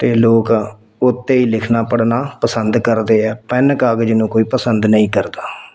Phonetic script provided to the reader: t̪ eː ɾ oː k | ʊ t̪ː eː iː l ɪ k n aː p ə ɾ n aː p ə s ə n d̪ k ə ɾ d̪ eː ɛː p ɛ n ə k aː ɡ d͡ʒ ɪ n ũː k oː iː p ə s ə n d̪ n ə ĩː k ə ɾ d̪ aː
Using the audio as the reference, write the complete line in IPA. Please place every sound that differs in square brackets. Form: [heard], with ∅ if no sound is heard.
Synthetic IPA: t̪ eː [l] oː k | ʊ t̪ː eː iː l ɪ [kʰ] n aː p ə [ɽ] n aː p ə s ə n d̪ k ə ɾ d̪ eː ɛː p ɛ n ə k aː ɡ d͡ʒ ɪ n ũː k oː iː p ə s ə n d̪ n ə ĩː k ə ɾ d̪ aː